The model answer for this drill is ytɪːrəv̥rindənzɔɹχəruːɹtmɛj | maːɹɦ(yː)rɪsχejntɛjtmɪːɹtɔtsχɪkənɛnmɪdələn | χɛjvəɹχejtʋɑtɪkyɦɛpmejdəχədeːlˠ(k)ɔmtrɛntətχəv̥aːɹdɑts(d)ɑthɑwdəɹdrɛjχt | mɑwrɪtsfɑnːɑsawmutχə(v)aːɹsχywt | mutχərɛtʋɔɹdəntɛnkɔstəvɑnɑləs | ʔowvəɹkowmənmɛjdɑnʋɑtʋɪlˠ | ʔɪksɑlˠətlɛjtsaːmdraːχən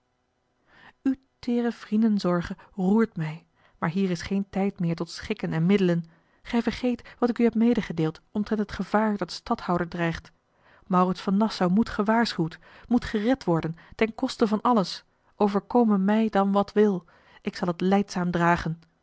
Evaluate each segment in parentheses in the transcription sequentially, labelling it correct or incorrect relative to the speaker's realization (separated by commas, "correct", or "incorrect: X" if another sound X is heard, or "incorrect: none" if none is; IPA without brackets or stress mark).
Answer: incorrect: iː, incorrect: t, incorrect: t, incorrect: ʋ